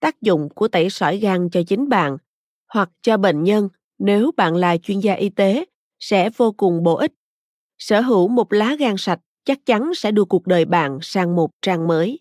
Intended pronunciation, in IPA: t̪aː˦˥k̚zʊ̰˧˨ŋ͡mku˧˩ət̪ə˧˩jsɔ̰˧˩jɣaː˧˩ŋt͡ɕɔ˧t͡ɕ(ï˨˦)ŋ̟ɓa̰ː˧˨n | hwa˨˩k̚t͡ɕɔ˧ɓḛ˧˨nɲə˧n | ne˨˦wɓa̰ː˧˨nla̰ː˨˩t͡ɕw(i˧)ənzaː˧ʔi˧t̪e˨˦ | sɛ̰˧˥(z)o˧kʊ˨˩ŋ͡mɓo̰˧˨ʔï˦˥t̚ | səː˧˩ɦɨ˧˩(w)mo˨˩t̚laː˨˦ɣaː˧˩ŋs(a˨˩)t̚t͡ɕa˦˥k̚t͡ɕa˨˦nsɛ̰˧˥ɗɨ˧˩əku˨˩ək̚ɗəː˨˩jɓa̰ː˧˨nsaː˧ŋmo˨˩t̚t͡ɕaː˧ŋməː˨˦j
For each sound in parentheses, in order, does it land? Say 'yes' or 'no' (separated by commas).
yes, yes, no, yes, yes